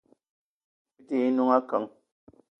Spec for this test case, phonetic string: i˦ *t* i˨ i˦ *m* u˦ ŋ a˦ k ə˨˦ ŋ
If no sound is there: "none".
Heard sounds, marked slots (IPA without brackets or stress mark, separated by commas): t, n